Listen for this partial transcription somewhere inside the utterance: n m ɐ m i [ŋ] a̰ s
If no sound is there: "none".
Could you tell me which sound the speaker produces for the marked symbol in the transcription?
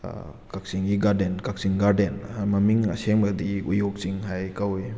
ŋ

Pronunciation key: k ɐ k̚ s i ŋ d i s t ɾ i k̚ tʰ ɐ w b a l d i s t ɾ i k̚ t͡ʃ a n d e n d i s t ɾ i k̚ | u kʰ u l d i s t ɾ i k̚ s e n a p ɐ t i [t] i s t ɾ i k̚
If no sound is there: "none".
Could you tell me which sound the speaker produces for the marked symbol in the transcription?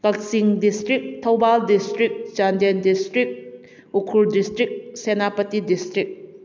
d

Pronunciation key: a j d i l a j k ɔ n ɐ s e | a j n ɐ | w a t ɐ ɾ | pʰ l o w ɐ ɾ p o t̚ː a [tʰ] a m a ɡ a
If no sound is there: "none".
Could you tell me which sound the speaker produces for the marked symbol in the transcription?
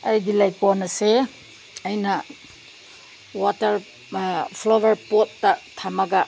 tʰ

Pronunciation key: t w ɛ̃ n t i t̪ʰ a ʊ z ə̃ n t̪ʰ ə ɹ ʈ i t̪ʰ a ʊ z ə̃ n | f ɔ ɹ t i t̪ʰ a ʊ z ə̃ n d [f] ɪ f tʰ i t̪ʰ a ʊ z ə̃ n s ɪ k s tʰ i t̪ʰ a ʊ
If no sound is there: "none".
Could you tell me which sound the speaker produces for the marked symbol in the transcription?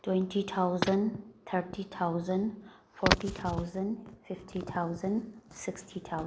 f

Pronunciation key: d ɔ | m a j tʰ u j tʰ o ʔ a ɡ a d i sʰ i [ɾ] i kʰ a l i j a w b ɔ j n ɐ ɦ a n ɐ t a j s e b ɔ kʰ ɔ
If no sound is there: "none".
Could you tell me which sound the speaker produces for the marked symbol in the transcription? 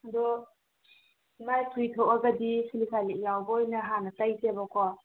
l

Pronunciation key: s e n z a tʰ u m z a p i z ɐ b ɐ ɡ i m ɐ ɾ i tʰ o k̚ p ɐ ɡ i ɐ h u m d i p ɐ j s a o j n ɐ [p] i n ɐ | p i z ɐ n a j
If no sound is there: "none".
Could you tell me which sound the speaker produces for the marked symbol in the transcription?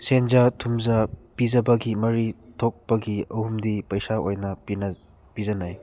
p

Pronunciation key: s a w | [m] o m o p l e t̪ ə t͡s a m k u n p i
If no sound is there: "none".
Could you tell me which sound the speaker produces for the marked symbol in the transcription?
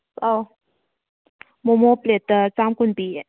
m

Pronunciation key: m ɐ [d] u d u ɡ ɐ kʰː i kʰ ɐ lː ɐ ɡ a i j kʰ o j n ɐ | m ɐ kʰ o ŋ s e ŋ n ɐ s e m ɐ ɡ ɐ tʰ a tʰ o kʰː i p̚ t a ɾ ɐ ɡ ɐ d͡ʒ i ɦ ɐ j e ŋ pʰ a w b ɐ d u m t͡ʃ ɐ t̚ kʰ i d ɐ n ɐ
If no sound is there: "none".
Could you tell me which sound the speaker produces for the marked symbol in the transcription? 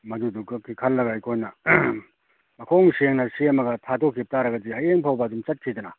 d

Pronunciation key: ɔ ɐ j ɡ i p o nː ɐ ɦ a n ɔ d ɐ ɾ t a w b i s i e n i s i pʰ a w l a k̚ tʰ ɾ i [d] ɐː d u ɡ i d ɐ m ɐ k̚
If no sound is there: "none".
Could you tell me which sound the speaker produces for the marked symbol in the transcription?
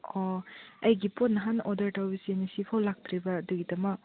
b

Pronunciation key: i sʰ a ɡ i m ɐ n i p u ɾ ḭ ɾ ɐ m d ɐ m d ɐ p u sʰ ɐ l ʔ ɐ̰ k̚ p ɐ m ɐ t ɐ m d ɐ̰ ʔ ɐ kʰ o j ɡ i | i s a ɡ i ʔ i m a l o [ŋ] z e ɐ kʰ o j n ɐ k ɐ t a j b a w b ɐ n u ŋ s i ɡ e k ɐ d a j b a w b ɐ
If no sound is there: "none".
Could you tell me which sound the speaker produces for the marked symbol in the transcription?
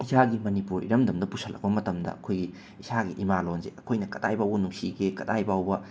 n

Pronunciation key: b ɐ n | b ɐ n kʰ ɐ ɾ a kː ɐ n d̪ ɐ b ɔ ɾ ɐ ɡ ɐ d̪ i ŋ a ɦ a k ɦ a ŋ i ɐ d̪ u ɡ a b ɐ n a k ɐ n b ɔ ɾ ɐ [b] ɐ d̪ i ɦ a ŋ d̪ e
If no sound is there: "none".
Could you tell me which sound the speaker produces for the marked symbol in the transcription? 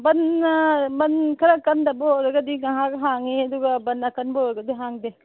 ɡ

